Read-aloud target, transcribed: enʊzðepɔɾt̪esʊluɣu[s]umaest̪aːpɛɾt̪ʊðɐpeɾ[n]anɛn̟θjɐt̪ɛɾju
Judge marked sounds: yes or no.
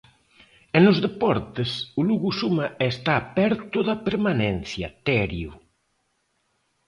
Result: yes, no

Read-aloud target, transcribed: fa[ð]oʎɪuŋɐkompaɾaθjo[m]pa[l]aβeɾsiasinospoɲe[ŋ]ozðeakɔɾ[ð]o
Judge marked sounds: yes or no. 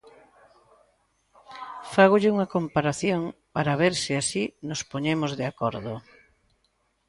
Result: no, no, no, no, yes

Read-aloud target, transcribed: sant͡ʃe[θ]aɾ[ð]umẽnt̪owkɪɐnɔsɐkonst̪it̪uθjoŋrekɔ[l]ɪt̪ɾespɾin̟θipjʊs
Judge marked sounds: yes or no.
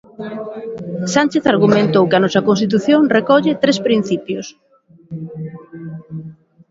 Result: yes, no, no

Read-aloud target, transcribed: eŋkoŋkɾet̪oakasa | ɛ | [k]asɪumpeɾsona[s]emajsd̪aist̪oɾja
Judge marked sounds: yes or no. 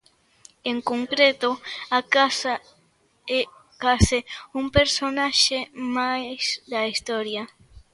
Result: yes, no

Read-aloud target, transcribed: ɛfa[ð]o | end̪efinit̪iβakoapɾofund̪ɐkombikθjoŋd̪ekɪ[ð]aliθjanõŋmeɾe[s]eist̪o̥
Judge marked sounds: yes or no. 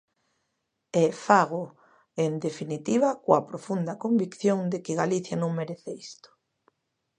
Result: no, no, no

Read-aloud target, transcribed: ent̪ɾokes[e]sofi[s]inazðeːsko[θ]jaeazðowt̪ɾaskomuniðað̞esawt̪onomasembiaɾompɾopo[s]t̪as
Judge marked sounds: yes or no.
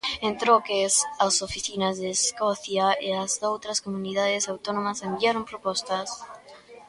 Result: no, no, yes, yes

